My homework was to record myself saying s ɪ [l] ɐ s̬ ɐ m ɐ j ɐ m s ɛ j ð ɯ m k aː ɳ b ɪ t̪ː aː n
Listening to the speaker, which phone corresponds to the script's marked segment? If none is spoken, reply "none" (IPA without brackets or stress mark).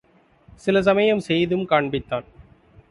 l